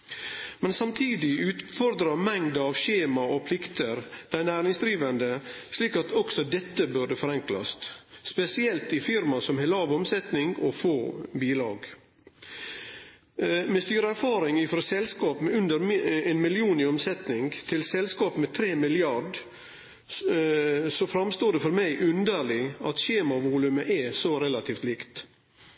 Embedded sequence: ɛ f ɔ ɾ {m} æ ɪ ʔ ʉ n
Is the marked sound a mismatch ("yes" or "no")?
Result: no